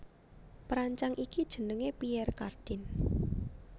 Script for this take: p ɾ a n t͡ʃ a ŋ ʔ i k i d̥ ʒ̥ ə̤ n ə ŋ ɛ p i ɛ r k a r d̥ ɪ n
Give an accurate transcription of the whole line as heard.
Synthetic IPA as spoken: p ɾ a ɲ t͡ʃ a ŋ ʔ i k i d̥ ʒ̥ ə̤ n ə ŋ e p i ɛ r k a r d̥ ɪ n